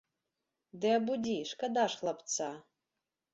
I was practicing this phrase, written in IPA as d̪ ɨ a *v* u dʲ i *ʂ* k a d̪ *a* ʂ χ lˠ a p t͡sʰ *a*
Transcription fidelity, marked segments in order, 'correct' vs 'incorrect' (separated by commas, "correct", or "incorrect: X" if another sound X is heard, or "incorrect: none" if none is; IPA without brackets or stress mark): incorrect: b, correct, correct, correct